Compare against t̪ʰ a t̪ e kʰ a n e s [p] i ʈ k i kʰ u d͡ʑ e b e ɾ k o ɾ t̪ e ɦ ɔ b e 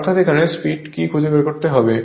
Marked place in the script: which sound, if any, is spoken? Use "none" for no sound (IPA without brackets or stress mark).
p